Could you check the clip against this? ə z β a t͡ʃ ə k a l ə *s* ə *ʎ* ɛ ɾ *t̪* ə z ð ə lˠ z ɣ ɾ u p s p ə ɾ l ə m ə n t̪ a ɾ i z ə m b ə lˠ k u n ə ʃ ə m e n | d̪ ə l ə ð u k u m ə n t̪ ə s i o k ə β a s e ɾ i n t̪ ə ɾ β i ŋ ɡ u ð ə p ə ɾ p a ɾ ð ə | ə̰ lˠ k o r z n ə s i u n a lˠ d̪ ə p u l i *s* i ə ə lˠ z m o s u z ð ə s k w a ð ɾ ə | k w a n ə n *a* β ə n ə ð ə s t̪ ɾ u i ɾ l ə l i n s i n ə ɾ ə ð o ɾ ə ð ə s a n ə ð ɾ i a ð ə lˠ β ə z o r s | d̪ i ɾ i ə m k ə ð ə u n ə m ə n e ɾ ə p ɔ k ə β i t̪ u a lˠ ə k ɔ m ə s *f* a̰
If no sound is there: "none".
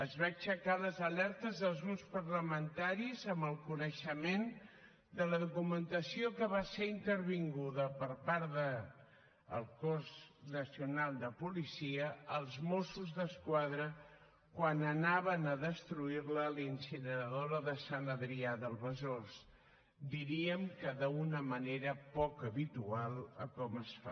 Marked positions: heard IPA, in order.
z, l, t̪, s, a, f

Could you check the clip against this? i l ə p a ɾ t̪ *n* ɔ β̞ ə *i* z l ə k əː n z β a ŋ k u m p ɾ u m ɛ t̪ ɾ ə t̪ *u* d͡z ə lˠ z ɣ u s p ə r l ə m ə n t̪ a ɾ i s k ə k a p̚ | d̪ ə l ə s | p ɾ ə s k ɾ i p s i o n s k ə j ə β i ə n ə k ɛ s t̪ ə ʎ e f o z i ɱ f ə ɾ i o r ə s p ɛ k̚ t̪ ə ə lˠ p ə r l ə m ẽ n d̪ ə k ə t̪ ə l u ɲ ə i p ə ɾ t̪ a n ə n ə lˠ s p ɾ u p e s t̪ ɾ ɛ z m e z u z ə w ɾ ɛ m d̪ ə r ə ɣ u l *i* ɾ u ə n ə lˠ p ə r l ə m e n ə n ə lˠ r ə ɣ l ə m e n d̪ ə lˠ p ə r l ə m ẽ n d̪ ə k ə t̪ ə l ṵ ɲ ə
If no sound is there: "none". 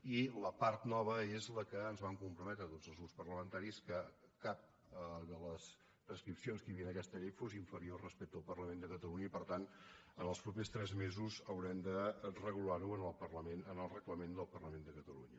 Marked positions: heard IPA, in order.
n, e, o, a

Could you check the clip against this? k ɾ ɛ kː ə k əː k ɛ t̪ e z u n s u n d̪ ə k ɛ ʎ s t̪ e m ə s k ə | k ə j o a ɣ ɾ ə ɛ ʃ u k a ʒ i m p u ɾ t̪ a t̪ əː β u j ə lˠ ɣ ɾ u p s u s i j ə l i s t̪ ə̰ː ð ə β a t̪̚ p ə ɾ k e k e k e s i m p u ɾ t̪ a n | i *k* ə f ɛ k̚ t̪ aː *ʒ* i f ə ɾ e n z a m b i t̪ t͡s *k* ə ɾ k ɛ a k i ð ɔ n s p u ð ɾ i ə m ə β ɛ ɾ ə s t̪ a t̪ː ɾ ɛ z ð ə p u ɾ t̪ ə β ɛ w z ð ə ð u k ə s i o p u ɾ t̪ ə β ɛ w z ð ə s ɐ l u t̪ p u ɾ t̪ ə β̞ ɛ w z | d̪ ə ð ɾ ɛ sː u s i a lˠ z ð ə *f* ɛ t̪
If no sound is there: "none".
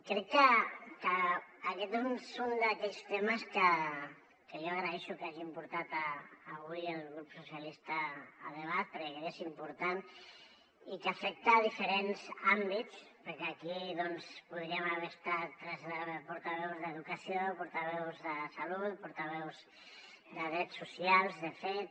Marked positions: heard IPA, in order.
k, ð, p, f

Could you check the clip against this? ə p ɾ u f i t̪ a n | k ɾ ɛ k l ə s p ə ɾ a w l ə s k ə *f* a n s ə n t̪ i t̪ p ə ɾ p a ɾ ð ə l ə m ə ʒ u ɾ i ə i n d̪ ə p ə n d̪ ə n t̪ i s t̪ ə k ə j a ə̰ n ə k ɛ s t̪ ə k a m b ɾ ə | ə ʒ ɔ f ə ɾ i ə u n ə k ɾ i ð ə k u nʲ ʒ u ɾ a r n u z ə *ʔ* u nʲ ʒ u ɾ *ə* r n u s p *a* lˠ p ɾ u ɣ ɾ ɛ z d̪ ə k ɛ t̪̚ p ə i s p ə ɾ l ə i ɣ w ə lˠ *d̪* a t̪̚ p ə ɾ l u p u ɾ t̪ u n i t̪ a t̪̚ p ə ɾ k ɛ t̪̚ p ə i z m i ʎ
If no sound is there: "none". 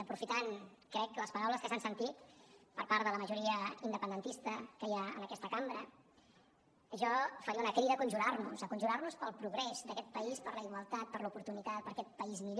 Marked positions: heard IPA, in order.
s, k, a, ə, t̪

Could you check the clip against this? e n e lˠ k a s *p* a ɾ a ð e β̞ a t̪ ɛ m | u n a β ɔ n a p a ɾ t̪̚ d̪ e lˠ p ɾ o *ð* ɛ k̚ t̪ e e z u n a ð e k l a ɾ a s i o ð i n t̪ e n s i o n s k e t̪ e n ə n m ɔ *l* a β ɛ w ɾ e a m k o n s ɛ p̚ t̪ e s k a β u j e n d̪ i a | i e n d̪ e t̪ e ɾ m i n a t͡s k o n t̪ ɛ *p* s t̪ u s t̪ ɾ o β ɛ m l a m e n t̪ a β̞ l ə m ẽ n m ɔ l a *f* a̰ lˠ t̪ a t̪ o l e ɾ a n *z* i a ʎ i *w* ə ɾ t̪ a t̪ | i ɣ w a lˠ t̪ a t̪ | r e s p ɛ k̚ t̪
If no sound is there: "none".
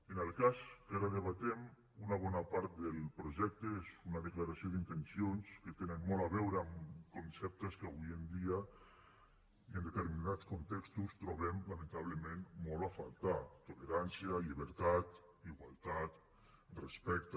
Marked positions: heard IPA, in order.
k, ʒ, l, k, f, s, β

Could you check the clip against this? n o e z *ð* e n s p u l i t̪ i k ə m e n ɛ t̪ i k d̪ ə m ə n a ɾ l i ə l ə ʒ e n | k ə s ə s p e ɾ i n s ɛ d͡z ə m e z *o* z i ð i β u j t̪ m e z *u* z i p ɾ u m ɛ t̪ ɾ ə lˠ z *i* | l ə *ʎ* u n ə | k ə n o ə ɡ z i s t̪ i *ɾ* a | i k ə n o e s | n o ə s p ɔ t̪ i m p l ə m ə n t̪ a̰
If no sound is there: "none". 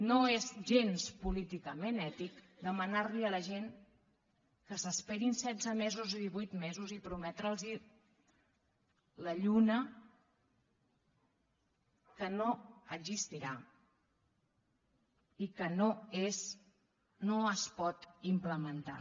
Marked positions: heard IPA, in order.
ʒ, u, u, i, ʎ, ɾ

